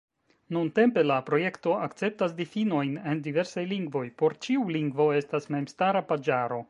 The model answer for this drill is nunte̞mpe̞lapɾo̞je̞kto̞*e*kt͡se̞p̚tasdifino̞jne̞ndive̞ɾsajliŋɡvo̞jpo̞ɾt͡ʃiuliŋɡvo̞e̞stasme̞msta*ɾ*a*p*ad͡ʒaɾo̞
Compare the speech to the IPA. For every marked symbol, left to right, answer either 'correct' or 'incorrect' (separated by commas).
incorrect, correct, correct